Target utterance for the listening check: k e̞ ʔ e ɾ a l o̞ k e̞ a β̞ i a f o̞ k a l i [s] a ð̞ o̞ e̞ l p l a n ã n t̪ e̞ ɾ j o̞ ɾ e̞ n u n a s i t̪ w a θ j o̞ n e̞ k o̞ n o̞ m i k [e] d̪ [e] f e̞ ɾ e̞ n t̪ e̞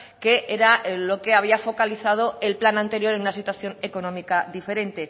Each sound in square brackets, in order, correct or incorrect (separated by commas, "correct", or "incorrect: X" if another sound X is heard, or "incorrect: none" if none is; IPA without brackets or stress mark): incorrect: θ, incorrect: a, incorrect: i